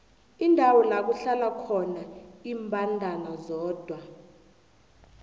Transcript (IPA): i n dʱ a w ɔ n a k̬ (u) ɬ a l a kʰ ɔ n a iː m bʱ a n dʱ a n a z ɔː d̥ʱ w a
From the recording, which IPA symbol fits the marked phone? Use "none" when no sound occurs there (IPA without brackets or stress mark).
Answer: u